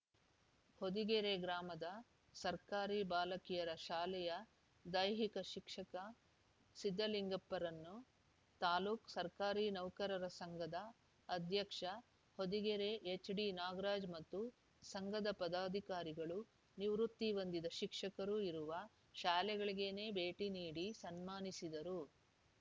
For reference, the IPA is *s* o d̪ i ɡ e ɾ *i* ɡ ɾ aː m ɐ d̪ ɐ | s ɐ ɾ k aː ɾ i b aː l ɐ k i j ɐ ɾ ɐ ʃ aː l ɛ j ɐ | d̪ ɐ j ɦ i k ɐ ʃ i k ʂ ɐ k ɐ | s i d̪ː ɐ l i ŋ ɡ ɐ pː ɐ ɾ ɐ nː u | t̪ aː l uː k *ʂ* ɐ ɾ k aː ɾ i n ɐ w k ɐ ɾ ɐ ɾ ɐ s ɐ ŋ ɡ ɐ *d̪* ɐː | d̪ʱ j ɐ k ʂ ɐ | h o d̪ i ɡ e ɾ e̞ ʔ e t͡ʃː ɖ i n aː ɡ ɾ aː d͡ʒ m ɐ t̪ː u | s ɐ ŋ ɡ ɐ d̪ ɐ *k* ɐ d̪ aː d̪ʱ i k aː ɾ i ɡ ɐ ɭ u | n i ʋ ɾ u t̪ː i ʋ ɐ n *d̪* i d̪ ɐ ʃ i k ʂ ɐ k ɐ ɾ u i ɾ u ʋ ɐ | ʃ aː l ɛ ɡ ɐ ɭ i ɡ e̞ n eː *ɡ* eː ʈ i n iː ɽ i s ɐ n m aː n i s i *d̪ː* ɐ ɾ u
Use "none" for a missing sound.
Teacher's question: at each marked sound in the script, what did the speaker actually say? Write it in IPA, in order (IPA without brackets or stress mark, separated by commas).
h, e, s, d̪, p, d̪, b, d̪